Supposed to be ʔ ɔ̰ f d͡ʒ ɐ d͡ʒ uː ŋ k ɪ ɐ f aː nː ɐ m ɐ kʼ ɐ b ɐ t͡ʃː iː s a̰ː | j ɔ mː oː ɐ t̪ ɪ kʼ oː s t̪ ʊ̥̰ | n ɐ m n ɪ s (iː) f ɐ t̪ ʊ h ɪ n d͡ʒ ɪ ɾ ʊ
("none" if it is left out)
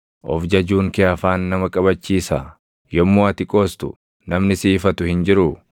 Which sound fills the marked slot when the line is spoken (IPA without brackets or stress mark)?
iː